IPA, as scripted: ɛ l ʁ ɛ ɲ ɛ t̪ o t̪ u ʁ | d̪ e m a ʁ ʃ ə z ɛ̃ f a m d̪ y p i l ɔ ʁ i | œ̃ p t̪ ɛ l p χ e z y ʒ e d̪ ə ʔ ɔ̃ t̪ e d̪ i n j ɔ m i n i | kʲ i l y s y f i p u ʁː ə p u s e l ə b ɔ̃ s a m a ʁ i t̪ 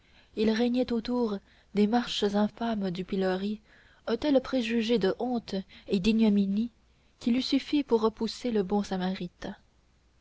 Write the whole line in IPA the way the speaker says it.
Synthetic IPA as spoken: i l ʁ ɛ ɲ ɛ t̪ o t̪ u ʁ | d̪ e m a ʁ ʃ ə z ɛ̃ f a m d̪ y p i l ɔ ʁ i | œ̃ t̪ ɛ l p χ e ʒ y ʒ e d̪ ə ʔ ɔ̃ t̪ e d̪ i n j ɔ m i n i | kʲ i l y s y f i p u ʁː ə p u s e l ə b ɔ̃ s a m a ʁ i t̪

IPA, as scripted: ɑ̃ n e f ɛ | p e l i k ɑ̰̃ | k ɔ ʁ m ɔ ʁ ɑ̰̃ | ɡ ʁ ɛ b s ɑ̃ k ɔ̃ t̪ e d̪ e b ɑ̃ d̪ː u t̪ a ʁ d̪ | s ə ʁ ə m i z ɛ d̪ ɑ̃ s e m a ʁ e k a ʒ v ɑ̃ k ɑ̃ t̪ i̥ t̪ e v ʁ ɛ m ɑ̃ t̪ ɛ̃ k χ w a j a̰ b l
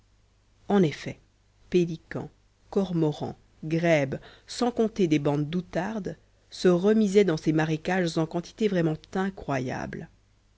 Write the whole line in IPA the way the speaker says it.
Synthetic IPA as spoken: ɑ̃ n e f ɛ | p e l i k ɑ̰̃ | k ɔ ʁ m ɔ ʁ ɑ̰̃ | ɡ ʁ ɛ b s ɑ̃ k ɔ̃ t̪ e d̪ e b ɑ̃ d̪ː u t̪ a ʁ d̪ | s ə ʁ ə m i z ɛ d̪ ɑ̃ s e m a ʁ e k a ʒ z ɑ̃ k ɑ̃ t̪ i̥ t̪ e v ʁ ɛ m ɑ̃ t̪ ɛ̃ k χ w a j a̰ b l

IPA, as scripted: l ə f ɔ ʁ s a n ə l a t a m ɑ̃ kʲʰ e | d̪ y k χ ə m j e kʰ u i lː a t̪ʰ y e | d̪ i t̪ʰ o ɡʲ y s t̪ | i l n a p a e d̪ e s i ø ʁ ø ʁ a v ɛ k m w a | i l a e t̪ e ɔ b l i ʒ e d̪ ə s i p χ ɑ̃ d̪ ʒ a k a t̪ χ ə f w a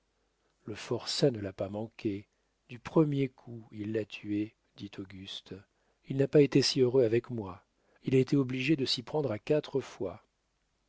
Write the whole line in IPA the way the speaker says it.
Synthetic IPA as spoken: l ə f ɔ ʁ s a n ə l a p a m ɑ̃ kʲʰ e | d̪ y p χ ə m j e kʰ u i lː a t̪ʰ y e | d̪ i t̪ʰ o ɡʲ y s t̪ | i l n a p a e t̪ e s i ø ʁ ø a v ɛ k m w a | i l a e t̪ e ɔ b l i ʒ e d̪ ə s i p χ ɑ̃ d̪ ʁ a k a t̪ χ ə f w a

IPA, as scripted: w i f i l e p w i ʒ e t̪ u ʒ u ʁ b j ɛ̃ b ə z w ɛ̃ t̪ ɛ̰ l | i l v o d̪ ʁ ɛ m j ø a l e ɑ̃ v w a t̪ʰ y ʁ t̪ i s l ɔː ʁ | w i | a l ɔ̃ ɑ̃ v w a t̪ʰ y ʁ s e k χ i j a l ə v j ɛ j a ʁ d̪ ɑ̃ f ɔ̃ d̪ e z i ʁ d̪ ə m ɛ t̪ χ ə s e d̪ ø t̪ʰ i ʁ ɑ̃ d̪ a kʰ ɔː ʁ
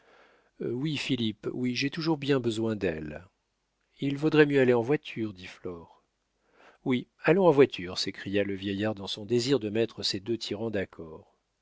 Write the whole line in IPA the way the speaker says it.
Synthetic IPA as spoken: w i f i l i p w i ʒ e t̪ u ʒ u ʁ b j ɛ̃ b ə z w ɛ̃ d̪ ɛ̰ l | i l v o d̪ ʁ ɛ m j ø a l e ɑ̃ v w a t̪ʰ y ʁ d̪ i f l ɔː ʁ | w i | a l ɔ̃ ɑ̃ v w a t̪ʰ y ʁ s e k χ i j a l ə v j ɛ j a ʁ d̪ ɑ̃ s ɔ̃ d̪ e z i ʁ d̪ ə m ɛ t̪ χ ə s e d̪ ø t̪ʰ i ʁ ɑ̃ d̪ a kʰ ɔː ʁ

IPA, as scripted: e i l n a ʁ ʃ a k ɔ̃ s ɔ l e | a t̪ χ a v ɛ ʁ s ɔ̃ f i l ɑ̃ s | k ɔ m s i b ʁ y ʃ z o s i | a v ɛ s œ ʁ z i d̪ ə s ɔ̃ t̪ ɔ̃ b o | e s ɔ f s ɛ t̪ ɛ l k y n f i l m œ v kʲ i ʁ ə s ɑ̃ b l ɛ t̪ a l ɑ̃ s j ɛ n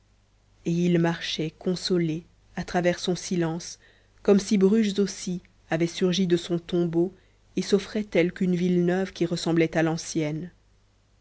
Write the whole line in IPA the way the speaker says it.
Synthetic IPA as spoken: e i l m a ʁ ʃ ɛ k ɔ̃ s ɔ l e | a t̪ χ a v ɛ ʁ s ɔ̃ s i l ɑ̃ s | k ɔ m s i b ʁ y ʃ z o s i | a v ɛ s y ʁ ʒ i d̪ ə s ɔ̃ t̪ ɔ̃ b o | e s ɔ f χ ɛ t̪ ɛ l k y n v i l n œ v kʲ i ʁ ə s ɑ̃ b l ɛ t̪ a l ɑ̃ s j ɛ n

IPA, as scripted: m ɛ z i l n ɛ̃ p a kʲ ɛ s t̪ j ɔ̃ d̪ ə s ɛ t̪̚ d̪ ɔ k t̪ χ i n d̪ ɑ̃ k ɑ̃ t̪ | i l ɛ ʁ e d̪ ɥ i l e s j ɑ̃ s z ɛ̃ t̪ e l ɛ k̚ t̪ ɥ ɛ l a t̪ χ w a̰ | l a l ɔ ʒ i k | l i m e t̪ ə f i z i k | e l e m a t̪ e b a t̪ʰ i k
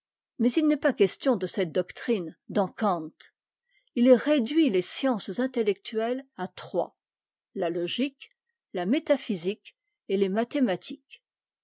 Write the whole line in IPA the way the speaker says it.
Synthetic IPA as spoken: m ɛ z i l n ɛ p a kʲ ɛ s t̪ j ɔ̃ d̪ ə s ɛ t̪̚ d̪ ɔ k t̪ χ i n d̪ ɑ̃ k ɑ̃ t̪ | i l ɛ ʁ e d̪ ɥ i l e s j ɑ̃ s z ɛ̃ t̪ e l ɛ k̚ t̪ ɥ ɛ l a t̪ χ w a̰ | l a l ɔ ʒ i k | l a m e t̪ a f i z i k | e l e m a t̪ e m a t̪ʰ i k

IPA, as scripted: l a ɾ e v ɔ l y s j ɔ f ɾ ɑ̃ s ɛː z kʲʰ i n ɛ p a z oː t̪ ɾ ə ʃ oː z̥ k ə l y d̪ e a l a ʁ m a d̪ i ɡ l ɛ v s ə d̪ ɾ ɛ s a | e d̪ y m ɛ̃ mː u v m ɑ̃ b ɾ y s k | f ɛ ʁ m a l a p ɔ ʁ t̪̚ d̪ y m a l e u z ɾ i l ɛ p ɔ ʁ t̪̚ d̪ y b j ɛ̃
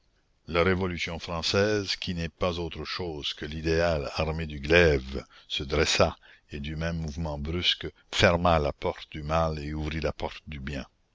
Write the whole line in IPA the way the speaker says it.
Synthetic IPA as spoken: l a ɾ e v ɔ l y s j ɔ̃ f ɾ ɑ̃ s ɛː z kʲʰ i n ɛ p a z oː t̪ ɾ ə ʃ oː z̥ k ə l i d̪ e a l a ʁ m e d̪ y ɡ l ɛ v s ə d̪ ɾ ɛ s a | e d̪ y m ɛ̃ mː u v m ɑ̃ b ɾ y s k | f ɛ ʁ m a l a p ɔ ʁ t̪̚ d̪ y m a l e u v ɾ i l a p ɔ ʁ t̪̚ d̪ y b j ɛ̃

